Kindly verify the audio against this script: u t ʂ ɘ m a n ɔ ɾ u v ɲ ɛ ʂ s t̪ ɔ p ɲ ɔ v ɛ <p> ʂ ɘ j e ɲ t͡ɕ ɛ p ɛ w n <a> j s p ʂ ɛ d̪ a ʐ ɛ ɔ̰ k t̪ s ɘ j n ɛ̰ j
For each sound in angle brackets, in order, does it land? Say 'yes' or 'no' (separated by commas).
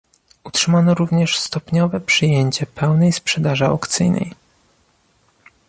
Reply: yes, no